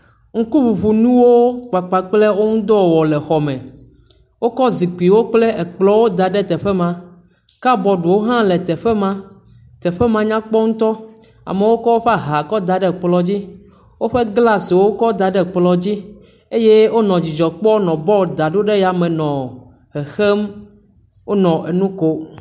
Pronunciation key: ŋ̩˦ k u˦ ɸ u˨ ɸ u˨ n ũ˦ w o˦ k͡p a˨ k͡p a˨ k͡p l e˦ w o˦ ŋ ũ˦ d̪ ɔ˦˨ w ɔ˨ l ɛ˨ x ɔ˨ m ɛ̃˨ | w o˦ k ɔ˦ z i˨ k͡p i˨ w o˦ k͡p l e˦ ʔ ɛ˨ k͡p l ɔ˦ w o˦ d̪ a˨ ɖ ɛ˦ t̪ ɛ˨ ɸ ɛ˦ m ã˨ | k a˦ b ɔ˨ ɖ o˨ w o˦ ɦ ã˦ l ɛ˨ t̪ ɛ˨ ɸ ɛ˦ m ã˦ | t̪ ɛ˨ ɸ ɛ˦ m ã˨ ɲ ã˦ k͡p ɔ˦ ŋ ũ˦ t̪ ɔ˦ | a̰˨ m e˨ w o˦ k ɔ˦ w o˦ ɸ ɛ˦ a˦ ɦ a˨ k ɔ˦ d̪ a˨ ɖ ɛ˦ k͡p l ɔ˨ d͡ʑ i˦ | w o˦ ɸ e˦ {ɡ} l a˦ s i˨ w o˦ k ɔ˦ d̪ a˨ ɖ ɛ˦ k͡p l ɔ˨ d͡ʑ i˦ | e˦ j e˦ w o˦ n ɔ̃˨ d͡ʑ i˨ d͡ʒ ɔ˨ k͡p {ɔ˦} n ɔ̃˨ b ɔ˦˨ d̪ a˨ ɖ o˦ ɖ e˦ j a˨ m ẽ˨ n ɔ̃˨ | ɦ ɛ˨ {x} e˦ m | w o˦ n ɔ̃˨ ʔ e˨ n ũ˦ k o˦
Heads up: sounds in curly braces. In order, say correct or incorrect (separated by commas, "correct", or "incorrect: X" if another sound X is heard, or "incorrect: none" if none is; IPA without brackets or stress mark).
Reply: correct, correct, correct